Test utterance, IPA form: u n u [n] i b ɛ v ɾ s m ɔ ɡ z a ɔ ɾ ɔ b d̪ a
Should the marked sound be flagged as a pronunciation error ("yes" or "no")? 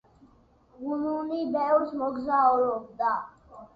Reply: no